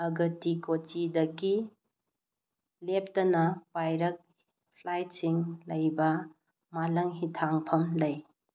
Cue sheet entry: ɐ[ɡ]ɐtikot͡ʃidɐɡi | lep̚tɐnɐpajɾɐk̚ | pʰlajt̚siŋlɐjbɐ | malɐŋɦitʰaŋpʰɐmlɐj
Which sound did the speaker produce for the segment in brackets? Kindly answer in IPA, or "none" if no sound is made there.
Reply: ɡ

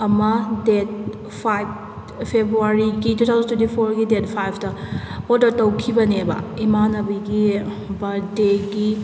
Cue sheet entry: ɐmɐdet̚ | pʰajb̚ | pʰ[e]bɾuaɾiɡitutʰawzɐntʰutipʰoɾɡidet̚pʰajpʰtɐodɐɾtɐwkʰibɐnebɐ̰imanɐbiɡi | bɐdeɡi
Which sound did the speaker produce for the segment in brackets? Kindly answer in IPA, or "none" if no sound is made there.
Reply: e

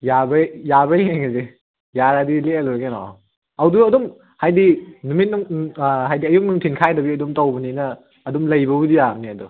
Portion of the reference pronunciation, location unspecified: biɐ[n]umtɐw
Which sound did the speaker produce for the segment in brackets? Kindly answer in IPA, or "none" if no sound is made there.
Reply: d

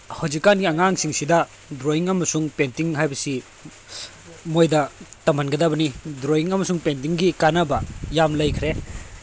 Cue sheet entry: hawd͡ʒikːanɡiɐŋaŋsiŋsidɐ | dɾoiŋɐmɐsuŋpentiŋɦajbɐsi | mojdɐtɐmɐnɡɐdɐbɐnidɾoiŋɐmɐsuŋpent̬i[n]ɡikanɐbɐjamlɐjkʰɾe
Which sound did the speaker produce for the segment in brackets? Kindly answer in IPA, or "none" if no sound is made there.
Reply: ŋ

